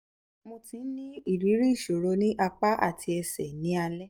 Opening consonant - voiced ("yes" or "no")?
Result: yes